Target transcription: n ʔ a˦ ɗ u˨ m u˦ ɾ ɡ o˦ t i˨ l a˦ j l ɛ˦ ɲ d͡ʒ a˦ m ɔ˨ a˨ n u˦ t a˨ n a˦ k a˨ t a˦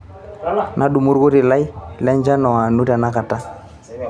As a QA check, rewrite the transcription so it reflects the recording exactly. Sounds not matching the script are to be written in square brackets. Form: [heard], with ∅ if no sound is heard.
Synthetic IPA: n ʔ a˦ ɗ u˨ m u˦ ɾ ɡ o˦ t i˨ l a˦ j l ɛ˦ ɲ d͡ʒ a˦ [n] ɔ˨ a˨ n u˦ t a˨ n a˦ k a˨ t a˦

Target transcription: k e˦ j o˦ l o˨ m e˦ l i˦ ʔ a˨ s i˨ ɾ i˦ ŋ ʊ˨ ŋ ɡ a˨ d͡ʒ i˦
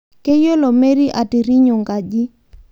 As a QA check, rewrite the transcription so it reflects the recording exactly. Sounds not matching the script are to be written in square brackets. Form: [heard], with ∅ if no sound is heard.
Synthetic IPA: k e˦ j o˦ l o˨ m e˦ [ɾ] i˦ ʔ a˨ [t] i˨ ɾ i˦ [ɲ] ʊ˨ ŋ ɡ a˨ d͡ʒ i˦

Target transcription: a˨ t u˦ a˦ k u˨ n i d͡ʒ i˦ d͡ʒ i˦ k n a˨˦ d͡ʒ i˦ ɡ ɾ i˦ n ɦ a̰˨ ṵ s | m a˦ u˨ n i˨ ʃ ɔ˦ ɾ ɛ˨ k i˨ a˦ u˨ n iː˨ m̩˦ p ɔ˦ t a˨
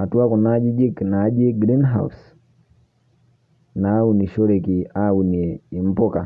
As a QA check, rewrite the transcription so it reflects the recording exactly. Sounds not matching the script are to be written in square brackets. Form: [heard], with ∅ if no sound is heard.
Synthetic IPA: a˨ t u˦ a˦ k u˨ n [a] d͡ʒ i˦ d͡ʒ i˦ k n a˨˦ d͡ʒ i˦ ɡ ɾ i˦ n ɦ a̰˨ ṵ s | [n] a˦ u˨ n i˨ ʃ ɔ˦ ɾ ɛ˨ k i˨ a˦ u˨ n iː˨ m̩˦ p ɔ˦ [k] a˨

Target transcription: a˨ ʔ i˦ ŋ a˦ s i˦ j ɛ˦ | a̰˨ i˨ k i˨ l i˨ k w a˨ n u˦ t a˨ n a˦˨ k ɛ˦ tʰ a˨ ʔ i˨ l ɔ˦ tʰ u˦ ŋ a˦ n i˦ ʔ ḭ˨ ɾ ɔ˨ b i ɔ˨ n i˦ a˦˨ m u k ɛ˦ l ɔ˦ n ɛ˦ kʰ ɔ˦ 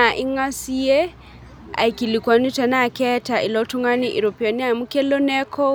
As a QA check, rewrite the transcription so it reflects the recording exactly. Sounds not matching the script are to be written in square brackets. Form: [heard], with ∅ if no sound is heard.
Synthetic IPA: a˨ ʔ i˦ ŋ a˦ s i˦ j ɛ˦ | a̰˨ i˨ k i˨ l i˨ k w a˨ n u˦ t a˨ n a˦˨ k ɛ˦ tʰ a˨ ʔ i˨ l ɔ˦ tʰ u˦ ŋ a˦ n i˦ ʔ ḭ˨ ɾ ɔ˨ [p] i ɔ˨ n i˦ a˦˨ m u k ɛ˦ l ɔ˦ n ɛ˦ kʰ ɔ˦

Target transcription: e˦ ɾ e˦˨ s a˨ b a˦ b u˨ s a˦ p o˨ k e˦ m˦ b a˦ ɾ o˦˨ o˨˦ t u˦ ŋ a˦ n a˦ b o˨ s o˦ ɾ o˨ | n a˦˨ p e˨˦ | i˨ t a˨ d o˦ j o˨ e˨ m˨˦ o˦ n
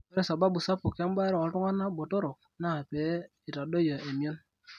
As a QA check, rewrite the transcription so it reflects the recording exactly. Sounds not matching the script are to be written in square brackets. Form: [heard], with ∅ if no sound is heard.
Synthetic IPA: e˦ ɾ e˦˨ s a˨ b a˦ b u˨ s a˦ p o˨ k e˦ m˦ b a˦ ɾ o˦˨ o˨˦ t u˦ ŋ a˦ n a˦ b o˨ [t] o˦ ɾ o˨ | n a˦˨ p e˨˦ | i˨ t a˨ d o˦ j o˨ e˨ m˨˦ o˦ n

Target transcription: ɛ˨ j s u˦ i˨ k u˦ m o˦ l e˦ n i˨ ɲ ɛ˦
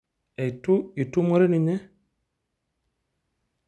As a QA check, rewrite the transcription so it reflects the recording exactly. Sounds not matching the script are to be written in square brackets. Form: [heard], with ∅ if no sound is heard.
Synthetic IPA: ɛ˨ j [t] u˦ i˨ [t] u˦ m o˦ [ɾ] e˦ n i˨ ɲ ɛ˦

